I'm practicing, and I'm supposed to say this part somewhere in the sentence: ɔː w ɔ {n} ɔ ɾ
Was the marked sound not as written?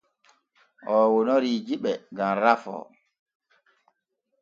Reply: no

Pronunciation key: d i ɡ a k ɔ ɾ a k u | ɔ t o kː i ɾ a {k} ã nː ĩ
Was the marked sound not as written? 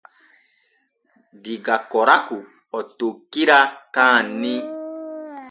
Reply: no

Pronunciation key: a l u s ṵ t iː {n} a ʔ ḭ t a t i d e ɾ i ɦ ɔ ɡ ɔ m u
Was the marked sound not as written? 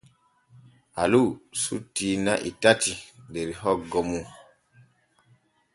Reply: no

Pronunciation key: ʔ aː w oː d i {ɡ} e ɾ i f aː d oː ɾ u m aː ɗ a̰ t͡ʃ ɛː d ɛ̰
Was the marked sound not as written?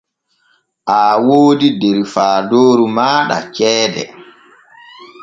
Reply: yes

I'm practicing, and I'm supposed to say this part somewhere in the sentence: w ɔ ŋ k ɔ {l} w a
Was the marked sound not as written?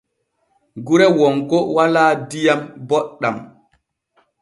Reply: yes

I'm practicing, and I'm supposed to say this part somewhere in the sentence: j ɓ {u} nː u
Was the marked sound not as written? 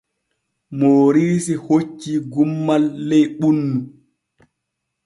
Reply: no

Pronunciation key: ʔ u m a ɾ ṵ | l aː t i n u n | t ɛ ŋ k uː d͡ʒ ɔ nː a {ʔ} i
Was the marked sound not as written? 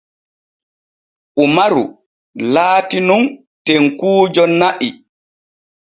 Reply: no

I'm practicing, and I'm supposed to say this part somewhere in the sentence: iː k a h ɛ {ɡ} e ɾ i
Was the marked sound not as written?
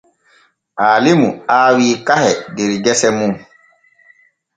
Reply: yes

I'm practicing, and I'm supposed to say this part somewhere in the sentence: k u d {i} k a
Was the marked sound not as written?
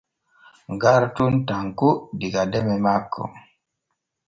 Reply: no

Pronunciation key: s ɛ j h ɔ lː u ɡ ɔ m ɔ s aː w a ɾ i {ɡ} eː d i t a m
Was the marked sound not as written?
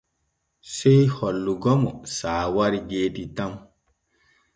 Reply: no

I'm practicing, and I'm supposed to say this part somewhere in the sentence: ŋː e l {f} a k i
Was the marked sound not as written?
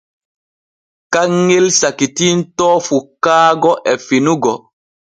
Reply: yes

